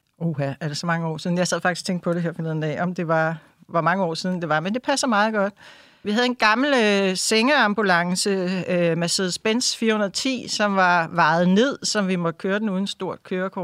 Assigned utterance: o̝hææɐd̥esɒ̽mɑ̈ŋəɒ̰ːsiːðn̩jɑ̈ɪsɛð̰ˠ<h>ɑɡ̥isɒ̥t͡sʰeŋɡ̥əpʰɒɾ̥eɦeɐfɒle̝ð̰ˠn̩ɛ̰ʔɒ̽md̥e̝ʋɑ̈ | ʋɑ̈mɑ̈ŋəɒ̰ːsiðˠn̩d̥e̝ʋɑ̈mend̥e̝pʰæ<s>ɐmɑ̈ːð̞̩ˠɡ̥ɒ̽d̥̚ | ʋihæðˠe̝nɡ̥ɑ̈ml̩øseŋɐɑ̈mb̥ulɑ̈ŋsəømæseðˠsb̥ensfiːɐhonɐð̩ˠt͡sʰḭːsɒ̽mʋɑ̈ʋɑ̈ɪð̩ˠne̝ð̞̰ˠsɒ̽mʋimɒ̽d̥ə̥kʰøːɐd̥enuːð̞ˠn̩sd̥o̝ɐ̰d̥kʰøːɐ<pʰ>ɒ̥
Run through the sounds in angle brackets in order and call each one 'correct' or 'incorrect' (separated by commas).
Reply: incorrect, correct, incorrect